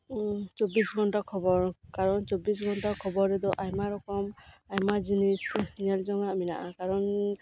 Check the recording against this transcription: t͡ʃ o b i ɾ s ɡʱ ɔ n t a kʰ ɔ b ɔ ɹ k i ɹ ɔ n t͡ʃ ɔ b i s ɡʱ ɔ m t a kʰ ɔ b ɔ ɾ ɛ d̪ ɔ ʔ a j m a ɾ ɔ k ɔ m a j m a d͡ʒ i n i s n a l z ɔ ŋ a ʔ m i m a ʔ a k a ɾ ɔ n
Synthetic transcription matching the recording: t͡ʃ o b i s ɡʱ ɔ n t a kʰ ɔ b ɔ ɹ k a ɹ ɔ n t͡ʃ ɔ b i s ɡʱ ɔ n t a kʰ ɔ b ɔ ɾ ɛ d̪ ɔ ʔ a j m a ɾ ɔ k ɔ m a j m a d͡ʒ i n i s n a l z ɔ ŋ a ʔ m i n a ʔ a k a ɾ ɔ n